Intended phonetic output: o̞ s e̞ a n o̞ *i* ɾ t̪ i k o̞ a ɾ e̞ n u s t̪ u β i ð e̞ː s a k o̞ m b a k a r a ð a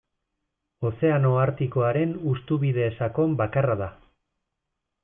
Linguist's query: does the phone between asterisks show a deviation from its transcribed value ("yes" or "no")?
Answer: yes